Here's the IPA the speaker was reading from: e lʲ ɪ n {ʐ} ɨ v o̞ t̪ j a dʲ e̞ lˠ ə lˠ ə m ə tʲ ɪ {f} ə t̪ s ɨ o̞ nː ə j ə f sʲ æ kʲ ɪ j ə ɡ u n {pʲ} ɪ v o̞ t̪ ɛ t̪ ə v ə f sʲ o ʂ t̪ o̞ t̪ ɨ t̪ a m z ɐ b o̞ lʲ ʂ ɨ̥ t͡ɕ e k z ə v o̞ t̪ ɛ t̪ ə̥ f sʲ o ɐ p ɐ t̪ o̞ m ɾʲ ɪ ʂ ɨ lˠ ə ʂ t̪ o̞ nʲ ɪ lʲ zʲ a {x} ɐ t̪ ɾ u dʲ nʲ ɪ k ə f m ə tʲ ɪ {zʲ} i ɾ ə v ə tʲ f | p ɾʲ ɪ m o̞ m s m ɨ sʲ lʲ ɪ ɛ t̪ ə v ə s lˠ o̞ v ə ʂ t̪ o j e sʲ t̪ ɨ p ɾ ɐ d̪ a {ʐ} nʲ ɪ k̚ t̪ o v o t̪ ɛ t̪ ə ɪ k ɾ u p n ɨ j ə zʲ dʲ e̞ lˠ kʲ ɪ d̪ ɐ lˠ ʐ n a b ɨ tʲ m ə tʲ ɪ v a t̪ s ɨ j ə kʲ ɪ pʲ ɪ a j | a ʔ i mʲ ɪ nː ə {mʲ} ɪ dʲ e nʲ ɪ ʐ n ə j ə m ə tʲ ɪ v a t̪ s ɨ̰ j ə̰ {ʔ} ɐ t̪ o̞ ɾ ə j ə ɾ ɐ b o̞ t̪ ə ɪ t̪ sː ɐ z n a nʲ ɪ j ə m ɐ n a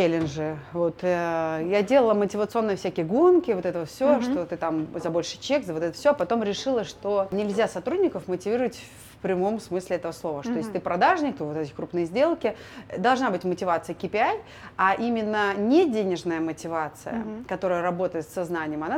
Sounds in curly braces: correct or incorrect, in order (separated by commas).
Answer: correct, incorrect, incorrect, incorrect, incorrect, correct, incorrect, incorrect